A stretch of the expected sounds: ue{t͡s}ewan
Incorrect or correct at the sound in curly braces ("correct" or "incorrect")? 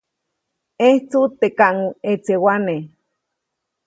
correct